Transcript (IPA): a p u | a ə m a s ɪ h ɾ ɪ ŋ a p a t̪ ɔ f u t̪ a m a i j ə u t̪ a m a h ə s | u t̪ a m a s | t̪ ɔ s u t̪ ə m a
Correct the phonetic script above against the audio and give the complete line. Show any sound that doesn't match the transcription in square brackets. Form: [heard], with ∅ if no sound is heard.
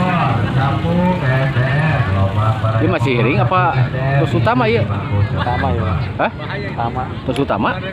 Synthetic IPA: a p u | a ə m a s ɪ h ɾ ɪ ŋ a p a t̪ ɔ [s] u t̪ a m a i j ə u t̪ a m a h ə [h] | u t̪ a m a [∅] | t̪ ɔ s u t̪ [a] m a